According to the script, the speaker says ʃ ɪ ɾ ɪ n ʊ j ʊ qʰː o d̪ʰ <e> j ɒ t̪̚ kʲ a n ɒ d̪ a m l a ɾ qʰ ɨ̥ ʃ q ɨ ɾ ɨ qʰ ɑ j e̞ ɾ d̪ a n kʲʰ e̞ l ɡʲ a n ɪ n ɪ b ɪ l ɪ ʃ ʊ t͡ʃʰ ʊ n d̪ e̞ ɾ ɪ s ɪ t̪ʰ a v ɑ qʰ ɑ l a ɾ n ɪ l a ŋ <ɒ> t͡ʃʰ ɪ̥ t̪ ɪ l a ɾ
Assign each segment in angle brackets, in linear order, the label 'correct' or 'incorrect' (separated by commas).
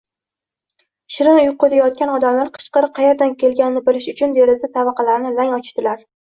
incorrect, correct